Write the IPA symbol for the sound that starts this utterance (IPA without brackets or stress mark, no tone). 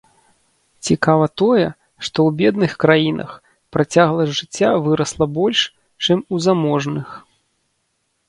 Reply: t͡sʲ